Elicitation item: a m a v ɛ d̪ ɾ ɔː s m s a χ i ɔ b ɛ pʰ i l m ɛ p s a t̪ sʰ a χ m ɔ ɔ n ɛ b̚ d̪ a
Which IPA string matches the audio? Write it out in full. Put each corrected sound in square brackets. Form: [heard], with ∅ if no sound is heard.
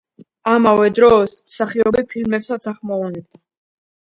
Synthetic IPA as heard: a m a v ɛ d̪ ɾ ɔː s m s a χ i ɔ b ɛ pʰ i l m ɛ p s a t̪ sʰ a χ m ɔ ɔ n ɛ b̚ d̪ a